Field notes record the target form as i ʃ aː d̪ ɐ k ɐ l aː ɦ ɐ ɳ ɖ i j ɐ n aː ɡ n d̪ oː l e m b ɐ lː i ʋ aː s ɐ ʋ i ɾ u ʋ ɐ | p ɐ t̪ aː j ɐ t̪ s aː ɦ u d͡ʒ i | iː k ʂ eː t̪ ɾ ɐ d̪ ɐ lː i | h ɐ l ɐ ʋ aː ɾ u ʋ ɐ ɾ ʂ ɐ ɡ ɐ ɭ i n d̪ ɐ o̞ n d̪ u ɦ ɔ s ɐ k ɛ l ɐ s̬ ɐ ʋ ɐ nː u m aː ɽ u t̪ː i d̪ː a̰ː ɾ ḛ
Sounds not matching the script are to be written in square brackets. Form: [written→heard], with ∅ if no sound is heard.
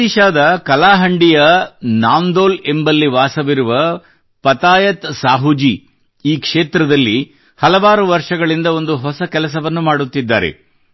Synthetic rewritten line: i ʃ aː d̪ ɐ k ɐ l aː ɦ ɐ ɳ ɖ i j ɐ n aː [ɡ→∅] n d̪ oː l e m b ɐ lː i ʋ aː s ɐ ʋ i ɾ u ʋ ɐ | p ɐ t̪ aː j ɐ t̪ s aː ɦ u d͡ʒ i | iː k ʂ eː t̪ ɾ ɐ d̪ ɐ lː i | h ɐ l ɐ ʋ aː ɾ u ʋ ɐ ɾ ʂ ɐ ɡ ɐ ɭ i n d̪ ɐ o̞ n d̪ u ɦ ɔ s ɐ k ɛ l ɐ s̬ ɐ ʋ ɐ nː u m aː ɽ u t̪ː i d̪ː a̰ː ɾ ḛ